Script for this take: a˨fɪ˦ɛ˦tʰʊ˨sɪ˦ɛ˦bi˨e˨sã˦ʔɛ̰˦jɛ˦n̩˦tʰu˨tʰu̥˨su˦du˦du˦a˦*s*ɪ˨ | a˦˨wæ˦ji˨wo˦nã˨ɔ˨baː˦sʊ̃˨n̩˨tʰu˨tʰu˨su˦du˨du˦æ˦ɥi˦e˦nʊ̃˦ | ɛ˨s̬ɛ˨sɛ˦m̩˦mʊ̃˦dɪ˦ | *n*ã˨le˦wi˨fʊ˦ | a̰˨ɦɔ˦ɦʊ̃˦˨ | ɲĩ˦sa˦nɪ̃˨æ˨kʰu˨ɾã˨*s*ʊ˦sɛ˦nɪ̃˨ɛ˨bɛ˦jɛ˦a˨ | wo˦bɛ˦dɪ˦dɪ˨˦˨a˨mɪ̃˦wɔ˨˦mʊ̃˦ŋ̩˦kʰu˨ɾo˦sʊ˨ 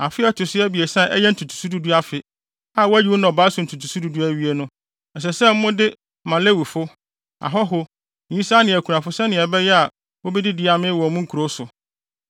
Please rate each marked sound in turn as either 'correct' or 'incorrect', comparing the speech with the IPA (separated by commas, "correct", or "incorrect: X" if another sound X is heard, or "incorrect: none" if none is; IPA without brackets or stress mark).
incorrect: f, incorrect: m, incorrect: f